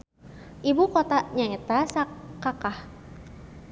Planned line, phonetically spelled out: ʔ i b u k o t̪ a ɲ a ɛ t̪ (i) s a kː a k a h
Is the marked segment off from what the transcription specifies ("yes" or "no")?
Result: yes